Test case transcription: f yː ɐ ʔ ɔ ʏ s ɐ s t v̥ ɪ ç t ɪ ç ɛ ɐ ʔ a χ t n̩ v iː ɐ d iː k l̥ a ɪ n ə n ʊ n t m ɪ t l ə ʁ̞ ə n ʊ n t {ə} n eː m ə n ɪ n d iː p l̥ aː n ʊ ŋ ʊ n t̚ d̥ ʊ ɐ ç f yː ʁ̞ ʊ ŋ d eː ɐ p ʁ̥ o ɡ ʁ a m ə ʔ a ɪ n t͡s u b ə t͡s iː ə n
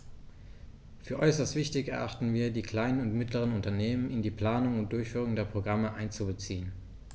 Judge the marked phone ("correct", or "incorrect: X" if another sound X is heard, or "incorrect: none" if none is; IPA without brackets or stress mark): incorrect: ɐ